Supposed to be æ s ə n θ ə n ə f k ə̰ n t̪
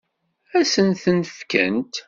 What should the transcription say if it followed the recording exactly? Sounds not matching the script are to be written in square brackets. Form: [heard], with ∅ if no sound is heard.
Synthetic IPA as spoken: æ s ə n θ ə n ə f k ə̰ n t̪